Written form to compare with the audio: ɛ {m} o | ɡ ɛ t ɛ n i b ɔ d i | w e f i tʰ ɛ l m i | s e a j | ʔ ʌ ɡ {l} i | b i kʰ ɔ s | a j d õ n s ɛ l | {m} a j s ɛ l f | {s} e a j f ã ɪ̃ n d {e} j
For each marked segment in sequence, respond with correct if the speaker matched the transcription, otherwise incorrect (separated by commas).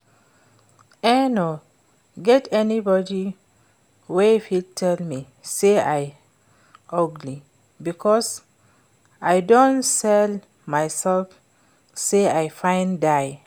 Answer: incorrect, correct, correct, correct, incorrect